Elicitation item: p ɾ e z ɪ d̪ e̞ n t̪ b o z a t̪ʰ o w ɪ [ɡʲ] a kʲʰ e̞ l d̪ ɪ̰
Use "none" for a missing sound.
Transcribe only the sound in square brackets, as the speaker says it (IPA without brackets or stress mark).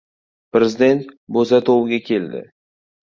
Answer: ɡʲ